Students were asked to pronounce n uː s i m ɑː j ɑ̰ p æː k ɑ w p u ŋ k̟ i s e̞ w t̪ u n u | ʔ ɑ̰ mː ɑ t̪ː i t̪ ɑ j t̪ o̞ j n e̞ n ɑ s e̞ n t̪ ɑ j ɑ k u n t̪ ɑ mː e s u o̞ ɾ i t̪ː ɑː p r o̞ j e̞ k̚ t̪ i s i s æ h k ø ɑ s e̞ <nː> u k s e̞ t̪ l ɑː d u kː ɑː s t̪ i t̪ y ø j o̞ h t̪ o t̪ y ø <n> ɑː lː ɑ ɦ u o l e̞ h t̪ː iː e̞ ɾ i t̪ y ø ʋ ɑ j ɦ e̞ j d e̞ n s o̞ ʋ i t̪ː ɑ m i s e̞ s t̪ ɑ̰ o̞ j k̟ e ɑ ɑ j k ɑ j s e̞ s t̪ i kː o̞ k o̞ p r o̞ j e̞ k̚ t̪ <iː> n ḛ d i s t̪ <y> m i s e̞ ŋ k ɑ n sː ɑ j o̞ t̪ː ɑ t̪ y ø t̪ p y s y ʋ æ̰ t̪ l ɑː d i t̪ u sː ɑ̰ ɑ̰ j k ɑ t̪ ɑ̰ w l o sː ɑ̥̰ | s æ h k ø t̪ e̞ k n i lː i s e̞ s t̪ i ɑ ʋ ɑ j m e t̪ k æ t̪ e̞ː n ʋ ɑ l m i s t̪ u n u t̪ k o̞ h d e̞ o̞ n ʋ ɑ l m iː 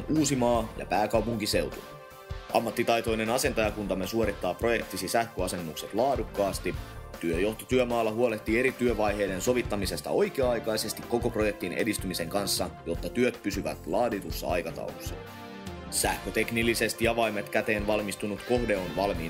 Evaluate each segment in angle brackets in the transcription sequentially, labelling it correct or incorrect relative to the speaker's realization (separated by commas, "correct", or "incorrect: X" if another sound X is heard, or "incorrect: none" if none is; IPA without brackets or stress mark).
correct, incorrect: m, incorrect: i, correct